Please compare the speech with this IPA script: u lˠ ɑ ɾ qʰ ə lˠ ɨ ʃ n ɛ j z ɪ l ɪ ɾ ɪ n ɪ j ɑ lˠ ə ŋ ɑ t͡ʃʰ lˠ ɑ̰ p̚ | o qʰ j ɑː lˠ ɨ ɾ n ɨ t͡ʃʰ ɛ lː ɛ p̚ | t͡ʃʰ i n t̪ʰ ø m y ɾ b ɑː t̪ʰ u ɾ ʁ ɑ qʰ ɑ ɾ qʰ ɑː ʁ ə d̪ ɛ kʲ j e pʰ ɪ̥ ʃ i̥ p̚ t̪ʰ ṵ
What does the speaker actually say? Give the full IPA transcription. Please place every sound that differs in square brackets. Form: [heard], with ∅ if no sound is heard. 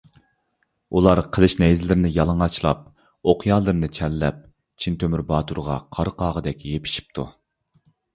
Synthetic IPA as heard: u lˠ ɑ ɾ qʰ ə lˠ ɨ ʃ n ɛ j z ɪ l ɪ ɾ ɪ n ɪ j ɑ lˠ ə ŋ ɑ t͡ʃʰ lˠ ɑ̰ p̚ | o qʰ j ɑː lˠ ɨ ɾ n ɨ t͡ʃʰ ɛ lː ɛ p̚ | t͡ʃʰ i n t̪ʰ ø m y ɾ b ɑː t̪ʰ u ɾ ʁ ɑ qʰ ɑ ɾ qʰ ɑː ʁ ə d̪ ɛ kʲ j e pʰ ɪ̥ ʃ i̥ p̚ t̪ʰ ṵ